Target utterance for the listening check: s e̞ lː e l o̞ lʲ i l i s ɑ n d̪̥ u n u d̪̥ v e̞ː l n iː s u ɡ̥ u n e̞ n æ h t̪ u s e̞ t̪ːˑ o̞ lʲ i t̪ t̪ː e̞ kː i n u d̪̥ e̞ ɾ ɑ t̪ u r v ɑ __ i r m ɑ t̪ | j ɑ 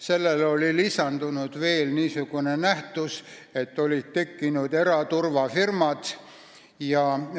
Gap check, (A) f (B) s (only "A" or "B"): A